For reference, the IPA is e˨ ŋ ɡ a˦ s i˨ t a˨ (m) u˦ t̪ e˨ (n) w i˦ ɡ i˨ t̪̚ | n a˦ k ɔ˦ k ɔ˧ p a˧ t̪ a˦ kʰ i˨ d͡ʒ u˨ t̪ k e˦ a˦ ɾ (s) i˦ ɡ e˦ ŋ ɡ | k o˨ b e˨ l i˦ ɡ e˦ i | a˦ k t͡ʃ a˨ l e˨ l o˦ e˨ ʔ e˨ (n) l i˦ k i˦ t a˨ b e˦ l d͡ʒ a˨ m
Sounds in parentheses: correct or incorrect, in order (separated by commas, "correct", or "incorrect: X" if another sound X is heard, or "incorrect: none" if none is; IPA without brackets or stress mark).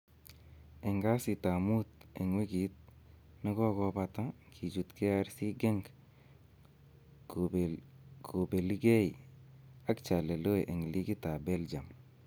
correct, incorrect: ŋ, correct, incorrect: ŋ